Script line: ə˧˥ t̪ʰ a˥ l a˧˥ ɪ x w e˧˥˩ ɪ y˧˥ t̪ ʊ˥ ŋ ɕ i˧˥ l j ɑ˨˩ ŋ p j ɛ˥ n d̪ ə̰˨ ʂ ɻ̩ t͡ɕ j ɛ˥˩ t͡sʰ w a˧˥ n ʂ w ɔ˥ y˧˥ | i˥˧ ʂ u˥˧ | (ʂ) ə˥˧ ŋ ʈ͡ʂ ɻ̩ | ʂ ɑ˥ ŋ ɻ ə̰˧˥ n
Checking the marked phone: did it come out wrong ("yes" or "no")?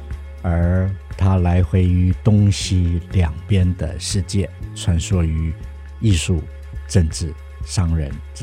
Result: yes